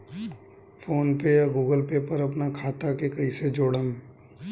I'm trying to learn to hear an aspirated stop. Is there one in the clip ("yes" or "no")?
yes